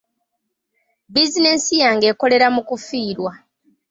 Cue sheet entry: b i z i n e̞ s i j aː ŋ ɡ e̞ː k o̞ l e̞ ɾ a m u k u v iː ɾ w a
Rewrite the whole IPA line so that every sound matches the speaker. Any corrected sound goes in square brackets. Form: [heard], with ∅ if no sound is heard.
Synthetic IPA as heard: b i z i n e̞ s i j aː ŋ ɡ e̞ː k o̞ l e̞ ɾ a m u k u [f] iː ɾ w a